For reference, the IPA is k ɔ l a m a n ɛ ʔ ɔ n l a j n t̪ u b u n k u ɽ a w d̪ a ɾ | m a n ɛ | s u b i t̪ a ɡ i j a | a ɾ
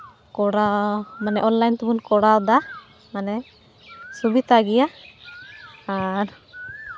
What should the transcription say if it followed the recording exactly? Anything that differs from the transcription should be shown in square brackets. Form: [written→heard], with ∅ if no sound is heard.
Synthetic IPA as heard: k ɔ [l→ɽ] a m a n ɛ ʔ ɔ n l a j n t̪ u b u n k [u→ɔ] ɽ a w d̪ a [ɾ→∅] | m a n ɛ | s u b i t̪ a ɡ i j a | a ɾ

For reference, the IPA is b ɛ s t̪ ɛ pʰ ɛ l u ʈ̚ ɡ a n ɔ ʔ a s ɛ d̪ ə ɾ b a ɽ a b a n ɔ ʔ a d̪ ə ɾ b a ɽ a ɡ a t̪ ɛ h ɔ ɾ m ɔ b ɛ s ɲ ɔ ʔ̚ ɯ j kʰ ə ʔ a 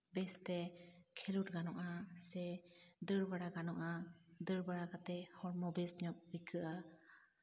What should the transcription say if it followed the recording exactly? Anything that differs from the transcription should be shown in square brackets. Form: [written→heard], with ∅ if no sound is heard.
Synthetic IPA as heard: b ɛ s t̪ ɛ [pʰ→kʰ] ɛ l u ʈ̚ ɡ a n ɔ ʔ a s ɛ d̪ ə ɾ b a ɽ a [b→ɡ] a n ɔ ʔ a d̪ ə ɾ b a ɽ a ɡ a t̪ ɛ h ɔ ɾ m ɔ b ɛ s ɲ ɔ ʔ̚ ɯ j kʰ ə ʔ a

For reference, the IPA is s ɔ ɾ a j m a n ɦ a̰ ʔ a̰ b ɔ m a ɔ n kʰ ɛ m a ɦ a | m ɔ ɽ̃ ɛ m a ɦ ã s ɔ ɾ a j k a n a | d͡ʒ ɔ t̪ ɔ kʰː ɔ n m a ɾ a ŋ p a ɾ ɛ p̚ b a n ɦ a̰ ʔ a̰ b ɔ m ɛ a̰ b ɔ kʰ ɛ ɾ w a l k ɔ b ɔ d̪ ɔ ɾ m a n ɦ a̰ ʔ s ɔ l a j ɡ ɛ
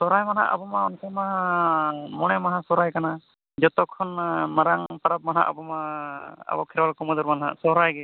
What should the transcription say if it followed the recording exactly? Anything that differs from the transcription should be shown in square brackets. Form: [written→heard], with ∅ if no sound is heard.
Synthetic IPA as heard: s ɔ ɾ a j m a n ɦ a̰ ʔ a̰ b ɔ m a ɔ n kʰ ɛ m a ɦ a | m ɔ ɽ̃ ɛ m a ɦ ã s ɔ ɾ a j k a n a | d͡ʒ ɔ t̪ ɔ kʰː ɔ n m a ɾ a ŋ p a ɾ [ɛ→a] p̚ [b→m] a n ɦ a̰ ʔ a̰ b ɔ m [ɛ→a] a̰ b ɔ kʰ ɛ ɾ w a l k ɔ [b→m] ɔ d̪ ɔ ɾ m a n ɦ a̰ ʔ s ɔ [l→ɾ] a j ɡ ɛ

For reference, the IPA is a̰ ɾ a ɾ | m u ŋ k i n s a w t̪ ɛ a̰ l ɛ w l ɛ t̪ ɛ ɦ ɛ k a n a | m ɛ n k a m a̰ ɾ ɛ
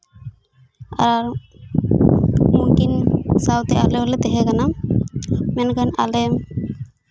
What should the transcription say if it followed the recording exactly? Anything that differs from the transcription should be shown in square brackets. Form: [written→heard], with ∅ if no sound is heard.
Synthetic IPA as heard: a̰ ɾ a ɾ | m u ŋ k i n s a w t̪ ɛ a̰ l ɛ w l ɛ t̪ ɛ ɦ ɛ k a n a | m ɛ n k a [m→n] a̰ [ɾ→l] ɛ

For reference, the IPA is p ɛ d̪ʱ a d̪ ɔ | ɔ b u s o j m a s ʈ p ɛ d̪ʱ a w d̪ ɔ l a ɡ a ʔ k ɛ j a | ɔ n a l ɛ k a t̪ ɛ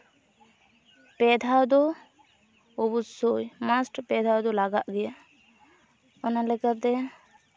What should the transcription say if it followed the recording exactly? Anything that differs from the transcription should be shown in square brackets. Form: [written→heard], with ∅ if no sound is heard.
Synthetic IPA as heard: p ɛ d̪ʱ a d̪ ɔ | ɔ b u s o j m a s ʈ p ɛ d̪ʱ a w d̪ ɔ l a ɡ a ʔ [k→ɡ] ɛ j a | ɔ n a l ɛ k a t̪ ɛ

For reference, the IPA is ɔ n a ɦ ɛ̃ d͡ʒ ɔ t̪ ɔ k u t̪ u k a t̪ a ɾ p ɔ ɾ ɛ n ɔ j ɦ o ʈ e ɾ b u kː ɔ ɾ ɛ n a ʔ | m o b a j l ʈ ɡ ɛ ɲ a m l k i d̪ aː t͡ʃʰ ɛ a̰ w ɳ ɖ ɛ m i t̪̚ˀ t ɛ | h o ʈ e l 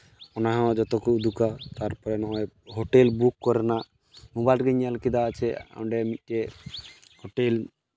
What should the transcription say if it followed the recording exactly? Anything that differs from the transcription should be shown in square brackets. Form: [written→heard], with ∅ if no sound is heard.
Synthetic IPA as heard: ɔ n a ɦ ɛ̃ d͡ʒ ɔ t̪ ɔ k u [t̪→d̪] u k a t̪ a ɾ p ɔ ɾ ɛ n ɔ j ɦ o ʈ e [ɾ→l] b u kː ɔ ɾ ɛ n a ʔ | m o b a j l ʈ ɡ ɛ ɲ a [m→∅] l k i d̪ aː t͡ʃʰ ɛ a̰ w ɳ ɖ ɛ m i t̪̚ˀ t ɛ | h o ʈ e l

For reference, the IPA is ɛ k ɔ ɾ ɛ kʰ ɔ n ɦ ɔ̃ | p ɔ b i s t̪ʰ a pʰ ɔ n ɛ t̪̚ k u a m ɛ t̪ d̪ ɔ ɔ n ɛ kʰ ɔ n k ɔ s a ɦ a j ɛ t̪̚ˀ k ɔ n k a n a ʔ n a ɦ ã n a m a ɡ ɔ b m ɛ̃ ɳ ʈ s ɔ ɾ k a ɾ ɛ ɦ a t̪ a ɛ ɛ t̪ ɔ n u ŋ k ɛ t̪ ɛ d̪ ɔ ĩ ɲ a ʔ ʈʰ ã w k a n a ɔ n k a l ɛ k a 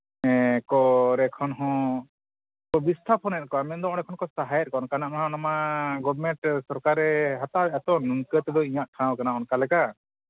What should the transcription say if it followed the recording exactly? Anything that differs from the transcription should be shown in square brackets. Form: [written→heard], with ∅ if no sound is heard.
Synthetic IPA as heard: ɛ k ɔ ɾ ɛ kʰ ɔ n ɦ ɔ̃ | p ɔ b i s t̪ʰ a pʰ ɔ n ɛ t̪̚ k [u→ɔ] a m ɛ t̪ d̪ ɔ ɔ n ɛ kʰ ɔ n k ɔ s a ɦ a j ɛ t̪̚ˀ k ɔ n k a n a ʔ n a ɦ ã n a m a ɡ ɔ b m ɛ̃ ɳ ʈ s ɔ ɾ k a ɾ ɛ ɦ a t̪ a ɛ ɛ t̪ ɔ n u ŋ k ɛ t̪ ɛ d̪ ɔ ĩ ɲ a ʔ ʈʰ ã w k a n a ɔ n k a l ɛ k a

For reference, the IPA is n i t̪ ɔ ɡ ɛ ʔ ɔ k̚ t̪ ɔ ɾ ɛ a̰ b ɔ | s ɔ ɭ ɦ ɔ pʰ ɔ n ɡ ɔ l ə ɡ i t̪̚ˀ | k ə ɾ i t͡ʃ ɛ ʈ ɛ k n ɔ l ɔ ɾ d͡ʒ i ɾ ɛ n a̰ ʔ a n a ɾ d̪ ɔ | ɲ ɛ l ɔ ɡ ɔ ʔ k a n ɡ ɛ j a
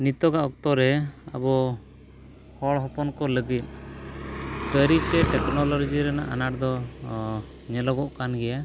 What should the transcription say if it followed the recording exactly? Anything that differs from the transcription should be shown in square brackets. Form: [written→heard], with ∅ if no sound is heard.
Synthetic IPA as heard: n i t̪ ɔ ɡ [ɛ→a] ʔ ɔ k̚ t̪ ɔ ɾ ɛ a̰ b ɔ | [s→h] ɔ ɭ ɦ ɔ [pʰ→p] ɔ n [ɡ→k] ɔ l ə ɡ i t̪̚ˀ | k ə ɾ i t͡ʃ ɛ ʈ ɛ k n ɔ l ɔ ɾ d͡ʒ i ɾ ɛ n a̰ ʔ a n a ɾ d̪ ɔ | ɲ ɛ l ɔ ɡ ɔ ʔ k a n ɡ ɛ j a

